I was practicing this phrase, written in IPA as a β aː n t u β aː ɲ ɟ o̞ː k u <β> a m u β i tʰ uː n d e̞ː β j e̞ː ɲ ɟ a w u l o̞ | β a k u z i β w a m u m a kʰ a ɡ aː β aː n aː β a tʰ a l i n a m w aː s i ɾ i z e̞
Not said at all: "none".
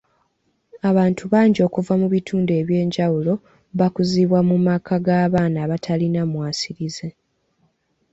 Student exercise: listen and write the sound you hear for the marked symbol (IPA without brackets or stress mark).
v